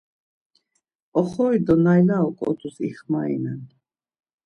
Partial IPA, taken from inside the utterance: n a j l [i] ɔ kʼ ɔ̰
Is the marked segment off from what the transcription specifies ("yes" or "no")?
yes